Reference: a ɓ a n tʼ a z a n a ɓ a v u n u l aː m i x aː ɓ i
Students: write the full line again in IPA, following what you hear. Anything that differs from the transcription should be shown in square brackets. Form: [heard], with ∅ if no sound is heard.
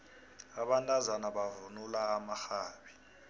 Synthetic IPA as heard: a ɓ a n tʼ a z a n a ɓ a v u n u l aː m [a] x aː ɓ i